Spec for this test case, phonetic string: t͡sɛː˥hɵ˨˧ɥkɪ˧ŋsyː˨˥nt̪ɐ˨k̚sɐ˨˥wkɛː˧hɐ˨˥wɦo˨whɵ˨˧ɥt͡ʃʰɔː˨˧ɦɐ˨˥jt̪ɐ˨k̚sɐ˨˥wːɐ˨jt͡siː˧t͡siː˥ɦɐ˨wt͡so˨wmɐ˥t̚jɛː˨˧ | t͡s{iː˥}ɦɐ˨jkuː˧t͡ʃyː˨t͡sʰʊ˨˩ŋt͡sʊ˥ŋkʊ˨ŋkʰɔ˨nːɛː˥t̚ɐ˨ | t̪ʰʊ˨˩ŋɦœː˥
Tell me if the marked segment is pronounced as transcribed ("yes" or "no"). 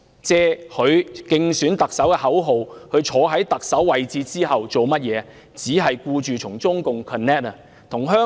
no